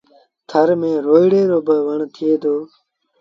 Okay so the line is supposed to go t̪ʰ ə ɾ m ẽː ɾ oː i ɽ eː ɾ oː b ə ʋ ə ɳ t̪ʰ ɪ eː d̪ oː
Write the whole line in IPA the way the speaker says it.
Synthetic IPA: t̪ʰ ə ɾ m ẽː ɾ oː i ɽ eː ɾ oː b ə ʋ ə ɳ t̪ʰ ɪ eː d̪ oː